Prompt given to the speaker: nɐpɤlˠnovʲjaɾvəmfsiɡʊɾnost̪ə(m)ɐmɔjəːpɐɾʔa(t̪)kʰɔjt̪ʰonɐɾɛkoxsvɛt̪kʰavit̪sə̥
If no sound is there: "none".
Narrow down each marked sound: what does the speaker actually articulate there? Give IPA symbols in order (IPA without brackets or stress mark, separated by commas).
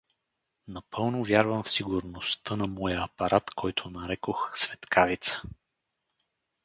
n, t̪